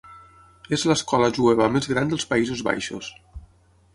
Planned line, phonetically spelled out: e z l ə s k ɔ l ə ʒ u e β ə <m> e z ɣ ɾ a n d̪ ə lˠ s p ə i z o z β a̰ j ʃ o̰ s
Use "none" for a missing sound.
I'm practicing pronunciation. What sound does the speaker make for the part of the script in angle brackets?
m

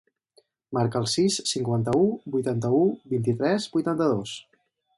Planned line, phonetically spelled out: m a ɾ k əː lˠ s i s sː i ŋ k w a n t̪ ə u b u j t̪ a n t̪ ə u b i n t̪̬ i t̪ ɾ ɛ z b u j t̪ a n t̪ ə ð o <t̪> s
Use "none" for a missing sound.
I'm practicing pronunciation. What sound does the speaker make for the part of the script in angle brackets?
none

